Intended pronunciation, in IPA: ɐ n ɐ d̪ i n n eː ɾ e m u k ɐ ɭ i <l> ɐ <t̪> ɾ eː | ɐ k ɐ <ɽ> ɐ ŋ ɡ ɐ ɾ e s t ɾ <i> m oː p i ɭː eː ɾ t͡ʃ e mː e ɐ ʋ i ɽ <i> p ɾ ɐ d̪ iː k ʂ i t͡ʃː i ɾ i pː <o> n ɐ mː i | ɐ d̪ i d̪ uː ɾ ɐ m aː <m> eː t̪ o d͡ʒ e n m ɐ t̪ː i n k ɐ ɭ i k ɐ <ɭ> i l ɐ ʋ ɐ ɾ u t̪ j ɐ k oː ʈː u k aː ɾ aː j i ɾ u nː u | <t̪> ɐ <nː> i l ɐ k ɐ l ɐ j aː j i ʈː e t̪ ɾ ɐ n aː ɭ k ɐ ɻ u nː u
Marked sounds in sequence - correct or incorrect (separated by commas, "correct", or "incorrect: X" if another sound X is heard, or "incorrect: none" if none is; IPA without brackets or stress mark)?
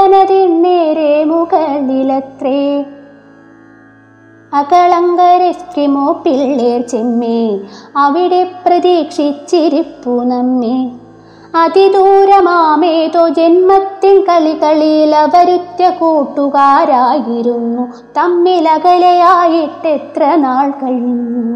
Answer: correct, correct, incorrect: ɭ, correct, incorrect: e, incorrect: u, correct, correct, correct, incorrect: mː